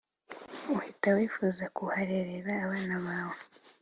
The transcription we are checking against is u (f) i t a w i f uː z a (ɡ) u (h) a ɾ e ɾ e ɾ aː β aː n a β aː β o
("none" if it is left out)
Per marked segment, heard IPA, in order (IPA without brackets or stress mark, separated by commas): h, k, h